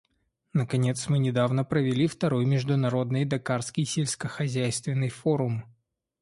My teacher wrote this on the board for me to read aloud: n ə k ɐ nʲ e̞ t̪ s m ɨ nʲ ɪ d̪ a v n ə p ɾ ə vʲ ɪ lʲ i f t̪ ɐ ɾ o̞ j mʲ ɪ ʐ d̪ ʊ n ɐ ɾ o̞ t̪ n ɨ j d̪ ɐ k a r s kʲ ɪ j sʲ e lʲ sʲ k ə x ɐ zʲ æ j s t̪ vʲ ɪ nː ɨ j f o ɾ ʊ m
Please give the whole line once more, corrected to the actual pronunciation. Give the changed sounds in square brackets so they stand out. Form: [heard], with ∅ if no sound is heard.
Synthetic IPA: n ə k ɐ nʲ e̞ t̪ s m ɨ nʲ ɪ d̪ a v n ə p ɾ ə vʲ ɪ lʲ i f t̪ ɐ ɾ o̞ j mʲ ɪ ʐ d̪ ʊ n ɐ ɾ o̞ [d̪] n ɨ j d̪ ɐ k a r s kʲ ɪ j sʲ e lʲ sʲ k ə x ɐ zʲ æ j s t̪ vʲ ɪ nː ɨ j f o ɾ ʊ m